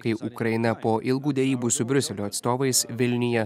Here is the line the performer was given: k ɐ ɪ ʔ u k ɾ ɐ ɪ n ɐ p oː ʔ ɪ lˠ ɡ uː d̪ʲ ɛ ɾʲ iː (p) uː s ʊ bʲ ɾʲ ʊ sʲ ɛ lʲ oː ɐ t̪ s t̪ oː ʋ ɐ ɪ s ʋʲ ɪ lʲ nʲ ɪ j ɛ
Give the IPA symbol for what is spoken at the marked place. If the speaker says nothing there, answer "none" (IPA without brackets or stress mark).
b